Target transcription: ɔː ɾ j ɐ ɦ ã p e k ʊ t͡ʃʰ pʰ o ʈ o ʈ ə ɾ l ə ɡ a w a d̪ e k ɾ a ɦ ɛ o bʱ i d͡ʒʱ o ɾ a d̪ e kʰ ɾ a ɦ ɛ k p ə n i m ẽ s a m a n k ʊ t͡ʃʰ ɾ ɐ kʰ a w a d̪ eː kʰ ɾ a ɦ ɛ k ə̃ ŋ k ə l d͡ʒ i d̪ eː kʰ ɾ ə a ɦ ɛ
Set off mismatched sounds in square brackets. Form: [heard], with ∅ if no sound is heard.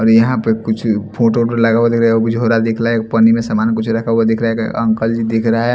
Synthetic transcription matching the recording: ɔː ɾ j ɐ ɦ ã p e k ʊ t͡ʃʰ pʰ o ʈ o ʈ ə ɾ l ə ɡ a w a d̪ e k ɾ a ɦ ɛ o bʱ i d͡ʒʱ o ɾ a d̪ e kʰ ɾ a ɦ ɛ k p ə n i m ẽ s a m a n k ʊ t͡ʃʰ ɾ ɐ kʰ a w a d̪ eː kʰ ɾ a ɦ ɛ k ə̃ ŋ k ə l d͡ʒ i d̪ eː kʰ ɾ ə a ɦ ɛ

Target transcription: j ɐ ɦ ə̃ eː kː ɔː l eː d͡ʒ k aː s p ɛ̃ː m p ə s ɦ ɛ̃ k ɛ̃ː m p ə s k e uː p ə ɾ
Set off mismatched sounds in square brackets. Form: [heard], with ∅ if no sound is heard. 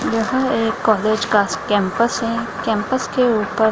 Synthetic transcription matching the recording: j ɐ ɦ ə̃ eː kː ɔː l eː d͡ʒ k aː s [k] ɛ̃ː m p ə s ɦ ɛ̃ k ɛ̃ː m p ə s k e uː p ə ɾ

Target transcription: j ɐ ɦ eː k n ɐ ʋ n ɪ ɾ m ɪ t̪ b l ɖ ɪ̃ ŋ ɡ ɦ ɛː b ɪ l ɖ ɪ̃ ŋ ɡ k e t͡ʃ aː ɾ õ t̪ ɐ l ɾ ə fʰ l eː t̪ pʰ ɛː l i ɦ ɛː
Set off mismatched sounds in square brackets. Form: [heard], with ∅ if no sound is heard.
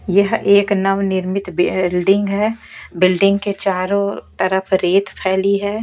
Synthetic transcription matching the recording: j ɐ ɦ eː k n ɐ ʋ n ɪ ɾ m ɪ t̪ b l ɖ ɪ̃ ŋ ɡ ɦ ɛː b ɪ l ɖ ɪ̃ ŋ ɡ k e t͡ʃ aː ɾ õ t̪ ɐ [∅] ɾ ə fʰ [ɾ] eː t̪ pʰ ɛː l i ɦ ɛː

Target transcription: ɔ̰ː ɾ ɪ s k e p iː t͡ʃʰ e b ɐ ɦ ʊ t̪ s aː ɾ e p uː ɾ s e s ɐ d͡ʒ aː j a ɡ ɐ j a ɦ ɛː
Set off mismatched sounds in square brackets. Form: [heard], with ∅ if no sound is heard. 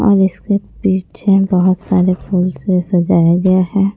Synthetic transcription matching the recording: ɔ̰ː ɾ ɪ s k e p iː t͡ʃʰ e b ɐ ɦ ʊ t̪ s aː ɾ e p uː [l] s e s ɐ d͡ʒ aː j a ɡ ɐ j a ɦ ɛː

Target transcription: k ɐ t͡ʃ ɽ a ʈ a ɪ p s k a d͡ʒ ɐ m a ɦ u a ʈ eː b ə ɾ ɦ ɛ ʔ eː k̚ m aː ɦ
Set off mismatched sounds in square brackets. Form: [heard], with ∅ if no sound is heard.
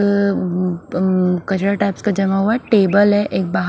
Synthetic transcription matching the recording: k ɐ t͡ʃ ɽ a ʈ a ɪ p s k a d͡ʒ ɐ m a ɦ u a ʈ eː b ə [l] ɦ ɛ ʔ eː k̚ [b] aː ɦ

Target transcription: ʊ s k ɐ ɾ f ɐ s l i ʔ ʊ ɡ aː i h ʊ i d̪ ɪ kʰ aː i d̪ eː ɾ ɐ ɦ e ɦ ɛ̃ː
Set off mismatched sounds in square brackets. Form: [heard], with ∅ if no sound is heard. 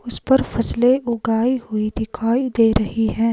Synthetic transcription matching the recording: ʊ s [p] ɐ ɾ f ɐ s l [e] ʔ ʊ ɡ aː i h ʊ i d̪ ɪ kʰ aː i d̪ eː ɾ ɐ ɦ [i] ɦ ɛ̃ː

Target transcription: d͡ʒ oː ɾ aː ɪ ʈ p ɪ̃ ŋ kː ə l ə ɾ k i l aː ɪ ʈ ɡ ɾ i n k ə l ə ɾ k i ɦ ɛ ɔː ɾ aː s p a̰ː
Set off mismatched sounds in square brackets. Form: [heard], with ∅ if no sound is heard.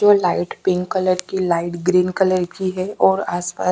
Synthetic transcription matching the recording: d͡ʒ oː [l] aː ɪ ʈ p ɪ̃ ŋ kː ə l ə ɾ k i l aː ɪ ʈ ɡ ɾ [iː] n k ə l ə ɾ k i ɦ ɛ ɔː ɾ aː s p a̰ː

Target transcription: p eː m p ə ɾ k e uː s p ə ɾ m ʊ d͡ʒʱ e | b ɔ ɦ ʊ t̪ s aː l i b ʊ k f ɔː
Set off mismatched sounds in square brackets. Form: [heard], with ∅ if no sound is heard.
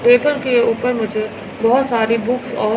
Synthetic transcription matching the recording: p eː [∅] p ə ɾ k e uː [∅] p ə ɾ m ʊ d͡ʒʱ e | b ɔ ɦ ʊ t̪ s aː [ɾ] i b ʊ k [s] ɔː

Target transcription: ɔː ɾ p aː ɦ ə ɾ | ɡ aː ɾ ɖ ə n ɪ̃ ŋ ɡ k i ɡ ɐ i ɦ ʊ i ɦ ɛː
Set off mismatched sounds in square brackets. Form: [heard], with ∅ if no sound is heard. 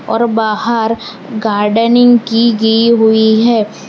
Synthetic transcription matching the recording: ɔː ɾ [b] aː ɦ ə ɾ | ɡ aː ɾ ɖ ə n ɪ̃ ŋ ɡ k i ɡ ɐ i ɦ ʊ i ɦ ɛː

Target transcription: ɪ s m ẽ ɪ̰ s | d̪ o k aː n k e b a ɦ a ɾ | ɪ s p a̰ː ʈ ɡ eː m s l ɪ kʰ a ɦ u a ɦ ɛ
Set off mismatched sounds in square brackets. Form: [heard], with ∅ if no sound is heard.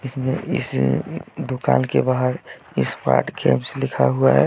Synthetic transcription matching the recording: ɪ s m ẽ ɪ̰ s | d̪ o k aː n k e b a ɦ [ə] ɾ | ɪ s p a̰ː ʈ ɡ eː m s l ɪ kʰ a ɦ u a ɦ ɛ

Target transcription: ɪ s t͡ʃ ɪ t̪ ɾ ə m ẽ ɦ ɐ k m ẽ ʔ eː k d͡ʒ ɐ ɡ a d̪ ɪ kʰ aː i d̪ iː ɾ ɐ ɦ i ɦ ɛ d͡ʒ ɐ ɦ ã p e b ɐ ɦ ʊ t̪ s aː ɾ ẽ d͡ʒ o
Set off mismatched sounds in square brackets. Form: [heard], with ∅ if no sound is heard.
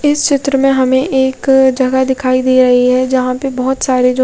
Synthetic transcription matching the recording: ɪ s t͡ʃ ɪ t̪ ɾ ə m ẽ ɦ ɐ [∅] m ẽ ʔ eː k d͡ʒ ɐ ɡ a d̪ ɪ kʰ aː i d̪ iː ɾ ɐ ɦ i ɦ ɛ d͡ʒ ɐ ɦ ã p e b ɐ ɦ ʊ t̪ s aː ɾ [e] d͡ʒ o

